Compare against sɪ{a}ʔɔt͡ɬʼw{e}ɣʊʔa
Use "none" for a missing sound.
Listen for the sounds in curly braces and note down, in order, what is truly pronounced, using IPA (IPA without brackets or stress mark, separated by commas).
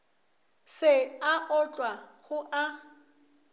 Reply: a, a